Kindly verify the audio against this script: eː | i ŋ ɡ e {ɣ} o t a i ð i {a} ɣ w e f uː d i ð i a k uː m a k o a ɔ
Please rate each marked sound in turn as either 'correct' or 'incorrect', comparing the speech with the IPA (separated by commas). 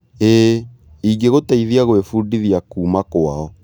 correct, correct